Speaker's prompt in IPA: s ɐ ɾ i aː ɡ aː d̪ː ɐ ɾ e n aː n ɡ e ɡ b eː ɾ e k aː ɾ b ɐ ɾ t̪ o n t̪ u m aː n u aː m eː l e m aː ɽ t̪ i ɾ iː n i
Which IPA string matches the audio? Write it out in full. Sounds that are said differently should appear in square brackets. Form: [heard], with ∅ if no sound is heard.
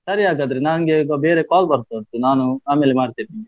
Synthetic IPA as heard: s ɐ ɾ i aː ɡ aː [d̪] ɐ ɾ e n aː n ɡ e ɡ b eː ɾ e k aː [l] b ɐ ɾ t̪ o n t̪ u [n] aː n u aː m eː l e m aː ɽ t̪ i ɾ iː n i